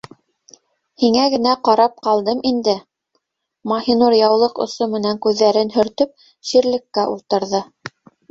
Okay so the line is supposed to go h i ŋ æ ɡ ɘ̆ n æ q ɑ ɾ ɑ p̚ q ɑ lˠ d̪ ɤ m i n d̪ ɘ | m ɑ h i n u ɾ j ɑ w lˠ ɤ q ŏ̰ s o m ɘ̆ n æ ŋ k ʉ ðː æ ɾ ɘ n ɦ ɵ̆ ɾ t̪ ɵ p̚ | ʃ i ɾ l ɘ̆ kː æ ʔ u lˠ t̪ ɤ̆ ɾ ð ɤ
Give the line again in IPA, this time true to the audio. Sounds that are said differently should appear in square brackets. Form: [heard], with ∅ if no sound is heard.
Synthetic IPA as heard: h i ŋ æ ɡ ɘ̆ n æ q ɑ ɾ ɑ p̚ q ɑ lˠ d̪ ɤ m i n d̪ ɘ | m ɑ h i n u ɾ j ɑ w lˠ ɤ q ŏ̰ s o m ɘ̆ n æ ŋ k ʉ ðː æ ɾ ɘ n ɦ ɵ̆ ɾ t̪ ɵ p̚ | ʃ i ɾ l ɘ̆ kː æ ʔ u lˠ t̪ ɤ̆ ɾ ð ɤ